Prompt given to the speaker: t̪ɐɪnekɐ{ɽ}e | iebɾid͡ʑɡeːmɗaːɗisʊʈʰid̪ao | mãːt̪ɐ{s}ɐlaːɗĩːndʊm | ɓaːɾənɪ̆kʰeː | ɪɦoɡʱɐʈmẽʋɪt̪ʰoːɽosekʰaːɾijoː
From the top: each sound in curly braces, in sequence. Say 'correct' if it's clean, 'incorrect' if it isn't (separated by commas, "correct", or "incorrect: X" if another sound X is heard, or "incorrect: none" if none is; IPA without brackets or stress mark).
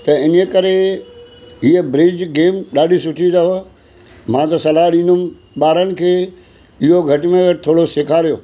incorrect: ɾ, correct